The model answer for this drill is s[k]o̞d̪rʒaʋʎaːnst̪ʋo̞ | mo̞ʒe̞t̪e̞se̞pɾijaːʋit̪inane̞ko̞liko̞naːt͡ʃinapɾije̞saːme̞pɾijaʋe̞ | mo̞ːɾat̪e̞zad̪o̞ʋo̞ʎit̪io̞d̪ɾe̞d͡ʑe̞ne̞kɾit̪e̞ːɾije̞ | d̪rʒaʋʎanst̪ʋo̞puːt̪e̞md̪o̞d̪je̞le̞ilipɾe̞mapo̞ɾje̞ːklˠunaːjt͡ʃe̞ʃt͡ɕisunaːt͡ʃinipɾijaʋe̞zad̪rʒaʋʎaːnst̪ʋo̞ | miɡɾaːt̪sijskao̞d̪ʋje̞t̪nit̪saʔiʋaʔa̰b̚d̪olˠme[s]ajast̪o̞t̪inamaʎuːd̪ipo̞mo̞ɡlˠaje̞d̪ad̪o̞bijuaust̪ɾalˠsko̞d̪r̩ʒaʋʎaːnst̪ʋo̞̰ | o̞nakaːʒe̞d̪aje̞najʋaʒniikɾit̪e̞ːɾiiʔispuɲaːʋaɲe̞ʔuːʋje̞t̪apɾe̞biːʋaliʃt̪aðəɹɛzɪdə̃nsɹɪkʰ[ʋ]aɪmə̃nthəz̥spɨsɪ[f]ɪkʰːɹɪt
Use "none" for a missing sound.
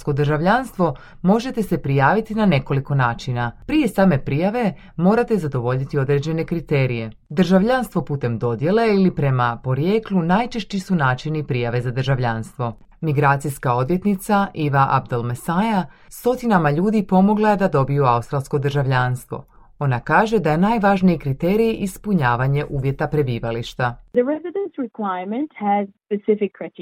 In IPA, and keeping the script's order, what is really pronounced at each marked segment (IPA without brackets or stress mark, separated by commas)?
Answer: k, s, w, f